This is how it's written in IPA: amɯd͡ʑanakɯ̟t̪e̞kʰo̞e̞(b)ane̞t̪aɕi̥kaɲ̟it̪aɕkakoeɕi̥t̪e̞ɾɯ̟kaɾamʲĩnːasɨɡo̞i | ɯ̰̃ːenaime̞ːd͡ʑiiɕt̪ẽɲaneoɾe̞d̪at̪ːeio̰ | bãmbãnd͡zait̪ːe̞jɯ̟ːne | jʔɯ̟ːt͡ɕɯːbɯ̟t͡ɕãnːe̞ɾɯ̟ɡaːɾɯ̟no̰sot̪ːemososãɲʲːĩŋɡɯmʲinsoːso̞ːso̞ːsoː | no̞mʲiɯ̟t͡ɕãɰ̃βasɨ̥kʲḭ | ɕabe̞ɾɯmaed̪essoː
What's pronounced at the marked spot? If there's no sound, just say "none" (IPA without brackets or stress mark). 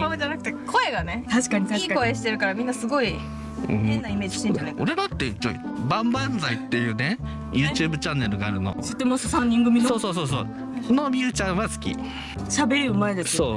ɡ